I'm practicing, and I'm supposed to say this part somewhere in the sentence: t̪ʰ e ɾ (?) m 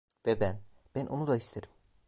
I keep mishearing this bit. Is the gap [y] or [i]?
i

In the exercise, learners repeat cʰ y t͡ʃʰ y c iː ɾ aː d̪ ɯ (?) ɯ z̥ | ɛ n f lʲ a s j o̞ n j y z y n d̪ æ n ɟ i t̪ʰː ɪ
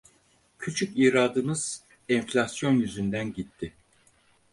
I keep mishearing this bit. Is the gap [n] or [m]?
m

